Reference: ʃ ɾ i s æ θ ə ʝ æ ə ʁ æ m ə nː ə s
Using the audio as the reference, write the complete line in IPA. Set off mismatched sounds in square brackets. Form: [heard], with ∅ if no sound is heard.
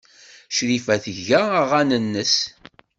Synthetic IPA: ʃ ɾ i [f] æ θ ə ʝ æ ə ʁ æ [n] ə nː ə s